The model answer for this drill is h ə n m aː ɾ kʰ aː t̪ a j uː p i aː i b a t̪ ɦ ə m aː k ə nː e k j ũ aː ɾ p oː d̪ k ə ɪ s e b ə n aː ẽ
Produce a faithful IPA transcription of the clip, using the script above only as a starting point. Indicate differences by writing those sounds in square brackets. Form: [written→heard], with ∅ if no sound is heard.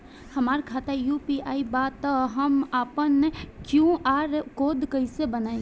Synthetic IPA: h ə [n→∅] m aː ɾ kʰ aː t̪ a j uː p i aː i b a t̪ ɦ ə m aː [k→p] ə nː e k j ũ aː ɾ [p→k] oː d̪ k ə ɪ s e b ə n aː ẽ